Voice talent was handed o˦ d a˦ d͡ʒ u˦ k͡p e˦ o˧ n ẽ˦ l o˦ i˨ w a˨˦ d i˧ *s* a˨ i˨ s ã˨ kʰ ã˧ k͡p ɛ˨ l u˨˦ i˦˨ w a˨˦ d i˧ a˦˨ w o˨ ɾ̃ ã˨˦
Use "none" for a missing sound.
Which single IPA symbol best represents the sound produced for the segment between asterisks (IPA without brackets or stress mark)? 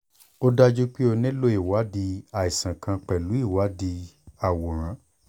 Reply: none